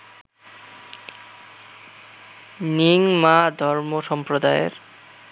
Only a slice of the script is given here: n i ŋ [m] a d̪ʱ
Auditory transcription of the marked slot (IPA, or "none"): m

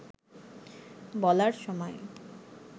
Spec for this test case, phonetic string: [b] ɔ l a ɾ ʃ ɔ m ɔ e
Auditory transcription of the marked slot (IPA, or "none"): b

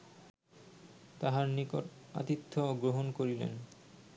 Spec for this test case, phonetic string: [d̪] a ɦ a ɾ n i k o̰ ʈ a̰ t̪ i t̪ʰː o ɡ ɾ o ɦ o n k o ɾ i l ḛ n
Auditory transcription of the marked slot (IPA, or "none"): t̪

